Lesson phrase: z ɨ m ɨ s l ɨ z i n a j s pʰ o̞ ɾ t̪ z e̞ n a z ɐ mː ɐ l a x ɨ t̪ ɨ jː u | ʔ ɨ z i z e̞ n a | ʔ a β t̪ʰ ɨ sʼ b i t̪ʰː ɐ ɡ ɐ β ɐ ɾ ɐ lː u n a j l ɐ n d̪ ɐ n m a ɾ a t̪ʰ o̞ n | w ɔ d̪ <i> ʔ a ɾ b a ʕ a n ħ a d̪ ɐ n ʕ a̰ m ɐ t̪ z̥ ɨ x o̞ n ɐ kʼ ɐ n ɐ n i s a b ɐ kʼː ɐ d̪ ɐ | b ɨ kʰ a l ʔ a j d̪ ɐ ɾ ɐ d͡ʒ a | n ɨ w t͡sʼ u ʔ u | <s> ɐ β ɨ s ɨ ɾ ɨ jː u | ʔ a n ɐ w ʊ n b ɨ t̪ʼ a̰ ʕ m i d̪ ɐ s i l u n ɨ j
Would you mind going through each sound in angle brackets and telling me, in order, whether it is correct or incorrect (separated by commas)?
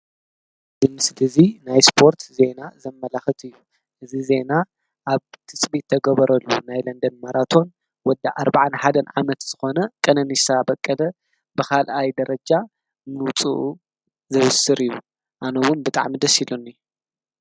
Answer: incorrect, incorrect